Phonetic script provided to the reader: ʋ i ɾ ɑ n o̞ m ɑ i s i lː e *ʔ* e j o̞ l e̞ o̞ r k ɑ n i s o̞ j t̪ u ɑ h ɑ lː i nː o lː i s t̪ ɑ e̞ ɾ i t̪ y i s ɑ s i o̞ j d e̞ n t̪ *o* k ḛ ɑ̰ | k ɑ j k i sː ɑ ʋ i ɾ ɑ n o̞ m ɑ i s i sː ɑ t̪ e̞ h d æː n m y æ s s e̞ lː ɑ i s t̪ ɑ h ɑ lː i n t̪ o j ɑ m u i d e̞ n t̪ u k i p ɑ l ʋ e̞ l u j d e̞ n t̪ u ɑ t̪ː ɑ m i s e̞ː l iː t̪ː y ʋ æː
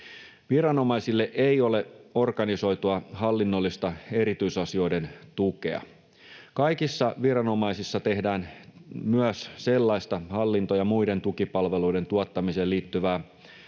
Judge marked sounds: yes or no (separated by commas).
yes, no